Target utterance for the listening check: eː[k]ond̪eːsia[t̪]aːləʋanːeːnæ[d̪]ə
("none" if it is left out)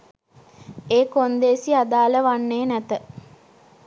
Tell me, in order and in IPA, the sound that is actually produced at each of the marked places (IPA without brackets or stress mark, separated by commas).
k, d̪, t̪